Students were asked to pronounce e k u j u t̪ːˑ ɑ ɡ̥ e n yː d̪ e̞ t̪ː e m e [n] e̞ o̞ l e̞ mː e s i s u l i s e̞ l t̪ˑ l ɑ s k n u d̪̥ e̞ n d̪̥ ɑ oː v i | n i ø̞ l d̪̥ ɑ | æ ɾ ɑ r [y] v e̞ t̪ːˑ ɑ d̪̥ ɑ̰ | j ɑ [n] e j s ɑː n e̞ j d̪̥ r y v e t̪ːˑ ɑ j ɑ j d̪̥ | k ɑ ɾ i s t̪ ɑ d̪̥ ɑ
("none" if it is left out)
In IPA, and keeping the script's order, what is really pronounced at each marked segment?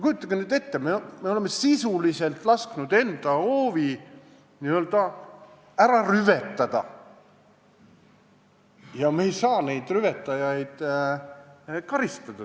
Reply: m, y, m

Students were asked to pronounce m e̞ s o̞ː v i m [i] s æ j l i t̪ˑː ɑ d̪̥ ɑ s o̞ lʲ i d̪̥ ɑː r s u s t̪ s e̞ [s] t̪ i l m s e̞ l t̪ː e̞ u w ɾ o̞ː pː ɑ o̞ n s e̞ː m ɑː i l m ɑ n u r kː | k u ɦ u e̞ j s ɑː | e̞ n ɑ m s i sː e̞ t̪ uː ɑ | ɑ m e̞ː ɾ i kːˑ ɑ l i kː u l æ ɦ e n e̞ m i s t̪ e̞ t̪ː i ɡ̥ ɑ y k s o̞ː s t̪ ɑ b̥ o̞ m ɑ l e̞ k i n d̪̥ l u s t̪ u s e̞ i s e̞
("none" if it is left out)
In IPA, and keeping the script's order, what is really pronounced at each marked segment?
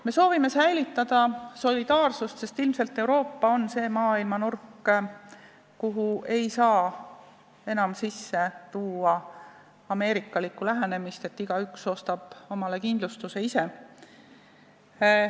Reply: e, s

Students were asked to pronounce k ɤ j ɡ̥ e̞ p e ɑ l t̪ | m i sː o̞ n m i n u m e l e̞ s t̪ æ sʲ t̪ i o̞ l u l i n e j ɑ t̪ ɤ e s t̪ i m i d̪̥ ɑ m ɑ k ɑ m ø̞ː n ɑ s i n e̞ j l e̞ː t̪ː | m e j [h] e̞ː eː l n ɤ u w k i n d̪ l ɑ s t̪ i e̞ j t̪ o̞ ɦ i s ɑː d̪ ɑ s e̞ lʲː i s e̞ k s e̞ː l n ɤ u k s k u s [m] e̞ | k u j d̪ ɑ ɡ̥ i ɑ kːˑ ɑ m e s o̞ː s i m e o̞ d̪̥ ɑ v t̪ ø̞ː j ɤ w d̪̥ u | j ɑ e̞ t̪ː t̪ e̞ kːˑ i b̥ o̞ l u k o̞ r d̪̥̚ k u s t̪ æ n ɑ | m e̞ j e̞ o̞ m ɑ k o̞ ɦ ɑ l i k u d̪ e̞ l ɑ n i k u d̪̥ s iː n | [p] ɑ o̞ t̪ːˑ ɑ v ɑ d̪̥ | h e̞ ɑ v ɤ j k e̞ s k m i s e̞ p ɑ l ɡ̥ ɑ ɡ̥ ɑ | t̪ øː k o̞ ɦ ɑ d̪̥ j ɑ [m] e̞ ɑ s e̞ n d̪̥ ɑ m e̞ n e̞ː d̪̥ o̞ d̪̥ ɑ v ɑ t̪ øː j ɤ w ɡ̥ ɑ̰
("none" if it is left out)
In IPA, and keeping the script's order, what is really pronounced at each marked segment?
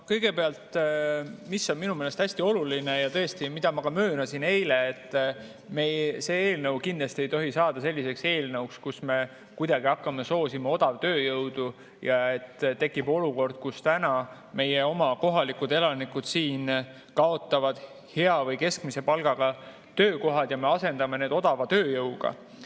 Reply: s, m, k, m

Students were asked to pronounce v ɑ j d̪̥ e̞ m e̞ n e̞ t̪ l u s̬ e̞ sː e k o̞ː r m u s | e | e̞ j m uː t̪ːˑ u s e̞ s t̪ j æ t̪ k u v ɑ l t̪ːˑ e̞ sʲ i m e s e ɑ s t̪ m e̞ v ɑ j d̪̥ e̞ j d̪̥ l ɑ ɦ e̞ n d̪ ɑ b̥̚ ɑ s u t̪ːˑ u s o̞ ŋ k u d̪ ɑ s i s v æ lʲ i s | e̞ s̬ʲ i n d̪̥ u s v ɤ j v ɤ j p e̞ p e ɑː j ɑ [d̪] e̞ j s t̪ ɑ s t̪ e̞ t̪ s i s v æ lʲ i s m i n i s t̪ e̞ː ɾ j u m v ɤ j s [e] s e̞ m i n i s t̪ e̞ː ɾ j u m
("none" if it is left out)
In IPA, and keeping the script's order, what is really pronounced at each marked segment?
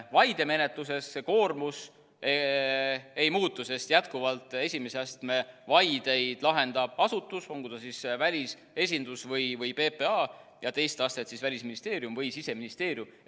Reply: t̪, i

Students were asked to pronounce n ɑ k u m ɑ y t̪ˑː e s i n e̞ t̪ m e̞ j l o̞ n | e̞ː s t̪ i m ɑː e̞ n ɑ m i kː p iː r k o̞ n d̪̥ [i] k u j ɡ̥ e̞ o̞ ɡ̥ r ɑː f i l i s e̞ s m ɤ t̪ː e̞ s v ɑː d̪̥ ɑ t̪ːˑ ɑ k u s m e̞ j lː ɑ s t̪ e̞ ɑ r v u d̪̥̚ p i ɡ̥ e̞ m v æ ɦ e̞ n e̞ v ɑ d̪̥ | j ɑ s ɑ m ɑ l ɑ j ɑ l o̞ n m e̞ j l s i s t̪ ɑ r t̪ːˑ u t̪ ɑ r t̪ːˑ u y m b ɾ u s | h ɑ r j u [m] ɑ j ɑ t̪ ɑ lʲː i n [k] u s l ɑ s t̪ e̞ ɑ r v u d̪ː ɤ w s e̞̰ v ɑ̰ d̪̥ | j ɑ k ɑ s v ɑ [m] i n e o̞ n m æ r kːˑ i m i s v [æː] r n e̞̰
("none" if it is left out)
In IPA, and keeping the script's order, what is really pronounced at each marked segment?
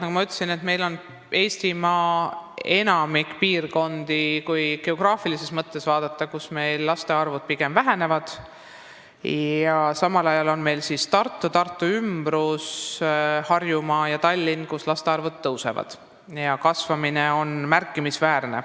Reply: i, m, k, m, æː

